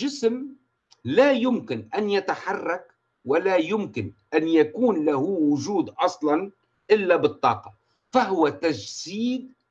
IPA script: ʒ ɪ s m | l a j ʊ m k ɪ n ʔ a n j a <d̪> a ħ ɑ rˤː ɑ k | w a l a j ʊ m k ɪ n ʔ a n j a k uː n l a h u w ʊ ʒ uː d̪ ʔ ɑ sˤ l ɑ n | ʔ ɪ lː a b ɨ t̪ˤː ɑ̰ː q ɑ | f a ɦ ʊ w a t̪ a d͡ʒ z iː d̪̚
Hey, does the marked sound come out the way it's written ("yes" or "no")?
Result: no